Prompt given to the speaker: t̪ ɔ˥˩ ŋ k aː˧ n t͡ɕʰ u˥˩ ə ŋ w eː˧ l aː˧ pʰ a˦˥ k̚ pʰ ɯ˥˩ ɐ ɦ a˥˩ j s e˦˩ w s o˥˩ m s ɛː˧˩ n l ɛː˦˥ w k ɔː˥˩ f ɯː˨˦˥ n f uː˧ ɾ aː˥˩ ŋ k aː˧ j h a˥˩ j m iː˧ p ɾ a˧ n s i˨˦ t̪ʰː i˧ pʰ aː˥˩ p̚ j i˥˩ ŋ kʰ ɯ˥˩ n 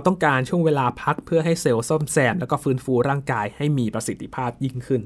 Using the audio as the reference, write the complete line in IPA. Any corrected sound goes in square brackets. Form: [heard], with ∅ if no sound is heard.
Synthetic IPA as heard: t̪ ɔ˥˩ ŋ k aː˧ n t͡ɕʰ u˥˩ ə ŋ w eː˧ l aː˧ pʰ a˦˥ k̚ pʰ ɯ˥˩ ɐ ɦ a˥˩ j s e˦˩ w s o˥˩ m s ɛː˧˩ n l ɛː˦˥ w k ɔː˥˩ f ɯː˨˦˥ n f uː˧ ɾ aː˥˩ ŋ k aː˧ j h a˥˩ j m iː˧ p ɾ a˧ [∅] s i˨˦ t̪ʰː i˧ pʰ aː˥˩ p̚ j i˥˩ ŋ kʰ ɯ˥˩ n